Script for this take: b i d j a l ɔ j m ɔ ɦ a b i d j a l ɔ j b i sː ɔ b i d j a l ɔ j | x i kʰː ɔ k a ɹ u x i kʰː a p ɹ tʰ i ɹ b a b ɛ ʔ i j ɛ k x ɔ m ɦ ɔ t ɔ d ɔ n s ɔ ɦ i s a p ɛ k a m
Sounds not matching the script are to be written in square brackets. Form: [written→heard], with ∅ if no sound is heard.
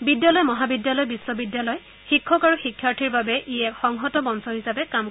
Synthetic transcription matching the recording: b i d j a l ɔ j m ɔ ɦ a b i d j a l ɔ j b i sː ɔ b i d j a l ɔ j | x i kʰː ɔ k a ɹ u x i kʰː a [p→∅] ɹ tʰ i ɹ b a b ɛ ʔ i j ɛ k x ɔ [m→ŋ] ɦ ɔ t ɔ [d→b] ɔ n s ɔ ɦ i s a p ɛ k a m